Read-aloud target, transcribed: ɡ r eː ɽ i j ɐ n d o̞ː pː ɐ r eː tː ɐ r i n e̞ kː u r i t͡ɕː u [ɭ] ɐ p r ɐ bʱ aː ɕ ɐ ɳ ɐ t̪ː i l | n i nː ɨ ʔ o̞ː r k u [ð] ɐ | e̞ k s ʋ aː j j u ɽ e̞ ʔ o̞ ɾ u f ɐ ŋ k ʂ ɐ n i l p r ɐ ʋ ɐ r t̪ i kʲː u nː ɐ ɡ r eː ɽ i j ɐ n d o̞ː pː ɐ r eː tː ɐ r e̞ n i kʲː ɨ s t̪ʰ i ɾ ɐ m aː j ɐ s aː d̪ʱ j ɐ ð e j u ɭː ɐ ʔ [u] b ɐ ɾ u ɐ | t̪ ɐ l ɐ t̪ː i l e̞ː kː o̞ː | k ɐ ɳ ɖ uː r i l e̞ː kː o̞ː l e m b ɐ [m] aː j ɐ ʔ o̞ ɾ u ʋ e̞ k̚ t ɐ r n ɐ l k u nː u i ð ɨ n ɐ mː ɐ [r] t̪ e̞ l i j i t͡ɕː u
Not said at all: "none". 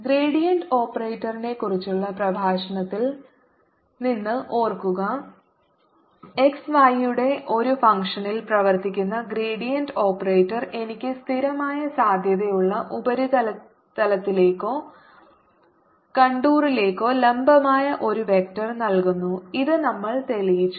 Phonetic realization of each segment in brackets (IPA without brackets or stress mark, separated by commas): ɭː, ɣ, u, m, ɭ